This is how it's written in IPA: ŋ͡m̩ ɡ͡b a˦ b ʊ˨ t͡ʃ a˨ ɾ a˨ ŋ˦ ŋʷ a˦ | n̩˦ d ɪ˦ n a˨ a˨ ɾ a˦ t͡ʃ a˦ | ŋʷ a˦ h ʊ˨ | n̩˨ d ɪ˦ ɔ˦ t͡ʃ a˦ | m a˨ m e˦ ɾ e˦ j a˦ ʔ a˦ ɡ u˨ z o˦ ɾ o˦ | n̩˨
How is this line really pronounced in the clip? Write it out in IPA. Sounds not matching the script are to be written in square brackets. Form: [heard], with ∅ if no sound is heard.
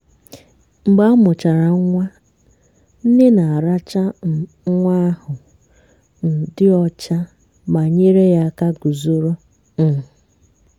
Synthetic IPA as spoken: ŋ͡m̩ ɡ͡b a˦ [m] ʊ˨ t͡ʃ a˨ ɾ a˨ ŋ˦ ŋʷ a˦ | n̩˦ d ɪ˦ n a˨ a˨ ɾ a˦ t͡ʃ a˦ | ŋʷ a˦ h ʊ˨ | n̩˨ d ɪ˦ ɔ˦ t͡ʃ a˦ | m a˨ [ɲ] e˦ ɾ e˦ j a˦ [k] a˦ ɡ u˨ z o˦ ɾ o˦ | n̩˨